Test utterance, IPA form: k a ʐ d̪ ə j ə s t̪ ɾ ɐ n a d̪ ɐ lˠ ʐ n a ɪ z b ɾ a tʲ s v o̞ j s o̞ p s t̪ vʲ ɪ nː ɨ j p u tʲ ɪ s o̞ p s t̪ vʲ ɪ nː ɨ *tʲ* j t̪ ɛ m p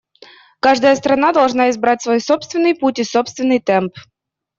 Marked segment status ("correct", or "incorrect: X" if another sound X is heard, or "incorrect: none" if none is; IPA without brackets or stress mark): incorrect: none